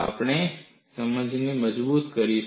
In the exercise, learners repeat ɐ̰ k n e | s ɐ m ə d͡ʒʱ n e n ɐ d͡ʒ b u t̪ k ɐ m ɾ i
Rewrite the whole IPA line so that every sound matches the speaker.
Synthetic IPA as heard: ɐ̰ p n e | s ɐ m ə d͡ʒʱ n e m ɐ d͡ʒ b uː t̪ k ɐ ɾ i

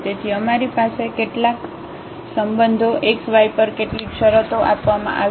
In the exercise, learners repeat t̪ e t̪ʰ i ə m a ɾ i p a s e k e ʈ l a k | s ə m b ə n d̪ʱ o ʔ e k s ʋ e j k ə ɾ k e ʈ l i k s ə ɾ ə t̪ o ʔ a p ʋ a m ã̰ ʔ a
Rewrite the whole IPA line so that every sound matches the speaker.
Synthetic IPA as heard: t̪ e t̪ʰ i ə m a ɾ i p a s e k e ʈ l a k | s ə m b ə n d̪ʱ o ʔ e k s ʋ a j p ə ɾ k e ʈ l i k ʃ ə ɾ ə t̪ o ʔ a p ʋ a m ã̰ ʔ a

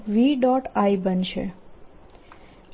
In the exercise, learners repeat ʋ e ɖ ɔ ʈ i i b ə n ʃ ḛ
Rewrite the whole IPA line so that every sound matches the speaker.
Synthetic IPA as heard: ʋ i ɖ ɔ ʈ a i b ə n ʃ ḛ

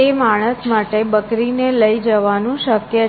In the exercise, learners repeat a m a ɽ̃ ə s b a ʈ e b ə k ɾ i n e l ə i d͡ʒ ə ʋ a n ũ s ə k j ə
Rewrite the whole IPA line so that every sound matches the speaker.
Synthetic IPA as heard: e m a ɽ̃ ə s m a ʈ e b ə k ɾ i n e l ə i d͡ʒ ə ʋ a n ũ ʃ ə k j ə

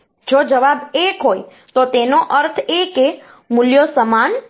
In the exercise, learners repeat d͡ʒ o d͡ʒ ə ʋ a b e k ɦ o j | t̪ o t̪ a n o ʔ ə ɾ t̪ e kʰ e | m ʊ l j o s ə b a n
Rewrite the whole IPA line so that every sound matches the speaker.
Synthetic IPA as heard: d͡ʒ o d͡ʒ ə ʋ a b e k ɦ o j | t̪ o t̪ e n o ʔ ə ɾ t̪ʰ e k e | m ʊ l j o s ə m a n

